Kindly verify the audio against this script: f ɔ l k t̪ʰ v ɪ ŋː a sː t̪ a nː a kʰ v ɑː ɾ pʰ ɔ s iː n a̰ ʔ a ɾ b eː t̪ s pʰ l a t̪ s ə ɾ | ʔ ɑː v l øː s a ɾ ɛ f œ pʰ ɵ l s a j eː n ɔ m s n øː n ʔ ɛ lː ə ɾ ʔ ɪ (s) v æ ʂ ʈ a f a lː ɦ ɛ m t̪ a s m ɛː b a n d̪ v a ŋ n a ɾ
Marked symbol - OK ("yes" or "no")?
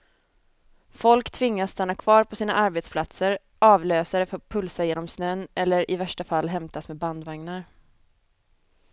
no